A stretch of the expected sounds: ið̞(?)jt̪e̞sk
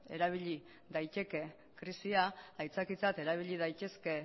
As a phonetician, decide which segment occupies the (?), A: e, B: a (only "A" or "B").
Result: B